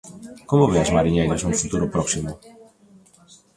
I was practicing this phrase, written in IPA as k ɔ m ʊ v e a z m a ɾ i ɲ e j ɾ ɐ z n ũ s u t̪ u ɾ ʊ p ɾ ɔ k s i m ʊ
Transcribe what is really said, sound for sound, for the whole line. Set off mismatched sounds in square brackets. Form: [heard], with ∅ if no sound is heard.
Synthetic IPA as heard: k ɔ m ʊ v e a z m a ɾ i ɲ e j ɾ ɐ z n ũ [f] u t̪ u ɾ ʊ p ɾ ɔ k s i m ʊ